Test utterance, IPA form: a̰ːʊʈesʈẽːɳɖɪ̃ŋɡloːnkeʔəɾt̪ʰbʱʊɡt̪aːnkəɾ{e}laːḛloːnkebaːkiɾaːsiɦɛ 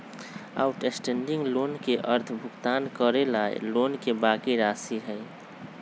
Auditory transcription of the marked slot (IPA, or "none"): e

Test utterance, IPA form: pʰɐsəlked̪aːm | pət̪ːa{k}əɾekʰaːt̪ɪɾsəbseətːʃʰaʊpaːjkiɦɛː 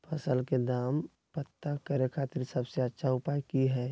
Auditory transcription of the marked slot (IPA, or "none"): k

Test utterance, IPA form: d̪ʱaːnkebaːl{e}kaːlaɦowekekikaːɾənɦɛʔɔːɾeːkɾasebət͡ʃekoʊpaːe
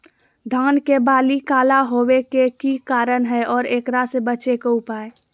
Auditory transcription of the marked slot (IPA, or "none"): i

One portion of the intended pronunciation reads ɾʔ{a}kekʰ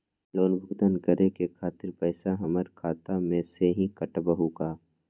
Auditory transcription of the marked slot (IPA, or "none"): e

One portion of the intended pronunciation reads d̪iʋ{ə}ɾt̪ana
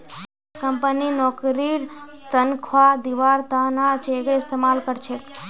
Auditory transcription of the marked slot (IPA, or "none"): a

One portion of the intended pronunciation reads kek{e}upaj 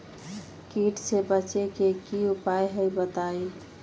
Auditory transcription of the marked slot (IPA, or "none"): i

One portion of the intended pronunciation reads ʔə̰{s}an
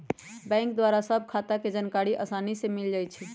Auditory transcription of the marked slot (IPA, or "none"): s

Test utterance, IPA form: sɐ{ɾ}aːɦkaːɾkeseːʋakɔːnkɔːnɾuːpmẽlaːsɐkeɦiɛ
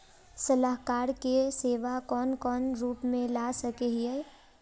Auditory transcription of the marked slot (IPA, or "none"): l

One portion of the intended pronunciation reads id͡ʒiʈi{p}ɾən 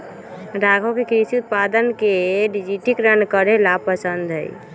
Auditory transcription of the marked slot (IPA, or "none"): k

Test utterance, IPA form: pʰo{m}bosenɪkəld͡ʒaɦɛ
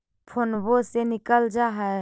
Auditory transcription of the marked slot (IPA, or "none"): n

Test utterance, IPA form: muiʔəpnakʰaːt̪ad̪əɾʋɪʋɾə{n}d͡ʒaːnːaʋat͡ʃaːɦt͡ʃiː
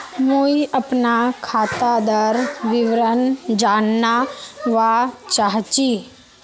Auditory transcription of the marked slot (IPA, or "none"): n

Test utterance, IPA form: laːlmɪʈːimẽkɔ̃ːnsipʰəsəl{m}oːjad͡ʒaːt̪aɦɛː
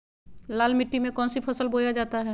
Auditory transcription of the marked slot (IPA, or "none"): b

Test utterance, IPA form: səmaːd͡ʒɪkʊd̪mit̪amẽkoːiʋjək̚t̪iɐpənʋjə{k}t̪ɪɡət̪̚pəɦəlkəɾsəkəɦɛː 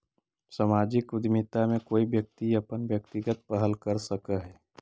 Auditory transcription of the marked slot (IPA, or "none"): k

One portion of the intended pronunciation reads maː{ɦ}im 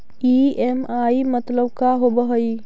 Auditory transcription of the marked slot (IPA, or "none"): none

